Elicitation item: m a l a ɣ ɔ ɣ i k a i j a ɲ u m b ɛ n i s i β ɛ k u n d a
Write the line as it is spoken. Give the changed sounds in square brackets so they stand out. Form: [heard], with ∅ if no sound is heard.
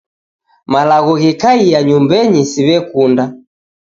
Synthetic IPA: m a l a ɣ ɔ ɣ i k a i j a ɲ u m b ɛ [ɲ] i s i β ɛ k u n d a